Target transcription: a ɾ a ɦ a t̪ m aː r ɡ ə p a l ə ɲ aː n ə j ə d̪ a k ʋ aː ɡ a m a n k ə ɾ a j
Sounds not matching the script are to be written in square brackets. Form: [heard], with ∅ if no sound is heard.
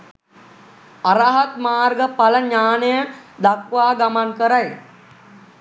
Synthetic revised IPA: a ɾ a ɦ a t̪ m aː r ɡ ə p a l ə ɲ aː n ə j ə d̪ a k ʋ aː ɡ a m a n k ə ɾ a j